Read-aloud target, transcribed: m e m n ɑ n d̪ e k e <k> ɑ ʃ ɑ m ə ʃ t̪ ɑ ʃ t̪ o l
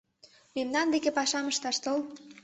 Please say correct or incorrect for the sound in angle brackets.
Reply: incorrect